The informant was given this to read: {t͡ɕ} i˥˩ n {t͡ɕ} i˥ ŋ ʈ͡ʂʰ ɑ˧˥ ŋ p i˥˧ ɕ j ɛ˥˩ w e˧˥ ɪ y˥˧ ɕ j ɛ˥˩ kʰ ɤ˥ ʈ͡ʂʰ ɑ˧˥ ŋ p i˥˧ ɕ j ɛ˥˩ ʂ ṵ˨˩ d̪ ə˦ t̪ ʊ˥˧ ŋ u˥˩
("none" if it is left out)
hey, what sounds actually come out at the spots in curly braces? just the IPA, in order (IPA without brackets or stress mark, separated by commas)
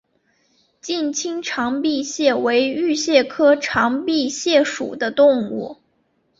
t͡ɕ, t͡ɕʰ